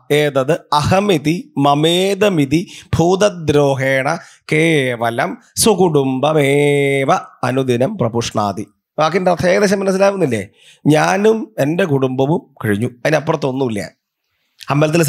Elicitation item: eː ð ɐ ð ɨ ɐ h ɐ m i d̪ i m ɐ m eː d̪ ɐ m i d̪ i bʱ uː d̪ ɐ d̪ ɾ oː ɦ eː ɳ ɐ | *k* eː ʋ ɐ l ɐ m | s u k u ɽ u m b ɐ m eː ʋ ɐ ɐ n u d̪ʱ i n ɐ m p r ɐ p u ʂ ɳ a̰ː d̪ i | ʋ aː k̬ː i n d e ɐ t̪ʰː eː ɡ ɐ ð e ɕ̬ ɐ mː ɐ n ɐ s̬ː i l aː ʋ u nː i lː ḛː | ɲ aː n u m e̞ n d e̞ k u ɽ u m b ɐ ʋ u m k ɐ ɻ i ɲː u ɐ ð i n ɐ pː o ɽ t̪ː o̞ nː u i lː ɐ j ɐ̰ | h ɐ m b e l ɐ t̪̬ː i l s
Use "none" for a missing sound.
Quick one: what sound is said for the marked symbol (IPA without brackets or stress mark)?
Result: k